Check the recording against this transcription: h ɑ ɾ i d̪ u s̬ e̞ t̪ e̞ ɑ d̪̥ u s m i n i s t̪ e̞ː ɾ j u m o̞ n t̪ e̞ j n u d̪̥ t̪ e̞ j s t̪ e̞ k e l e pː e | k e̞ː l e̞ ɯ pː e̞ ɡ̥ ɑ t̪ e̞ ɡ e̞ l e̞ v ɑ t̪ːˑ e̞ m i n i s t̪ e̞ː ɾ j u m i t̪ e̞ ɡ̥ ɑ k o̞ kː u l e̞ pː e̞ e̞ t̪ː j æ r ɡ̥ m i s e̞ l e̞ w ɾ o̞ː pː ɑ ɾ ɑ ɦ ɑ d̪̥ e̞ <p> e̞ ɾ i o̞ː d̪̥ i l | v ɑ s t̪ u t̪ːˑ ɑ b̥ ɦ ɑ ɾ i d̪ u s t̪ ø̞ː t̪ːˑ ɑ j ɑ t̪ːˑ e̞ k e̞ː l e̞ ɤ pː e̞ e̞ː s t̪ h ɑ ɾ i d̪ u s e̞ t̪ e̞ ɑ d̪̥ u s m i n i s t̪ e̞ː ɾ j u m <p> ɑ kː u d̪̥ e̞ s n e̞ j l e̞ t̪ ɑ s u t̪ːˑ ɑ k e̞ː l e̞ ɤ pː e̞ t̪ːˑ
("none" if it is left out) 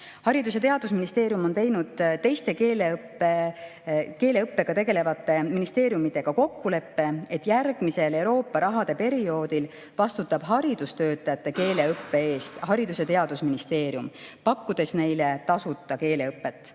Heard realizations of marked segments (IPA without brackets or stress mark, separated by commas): p, p